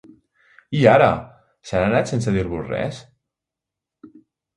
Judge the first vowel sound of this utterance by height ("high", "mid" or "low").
high